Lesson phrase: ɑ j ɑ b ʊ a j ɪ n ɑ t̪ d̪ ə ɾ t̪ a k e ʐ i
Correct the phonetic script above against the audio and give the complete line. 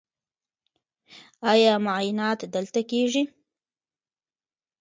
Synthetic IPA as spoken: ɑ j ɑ m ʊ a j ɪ n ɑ t̪ d̪ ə l t̪ a k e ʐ i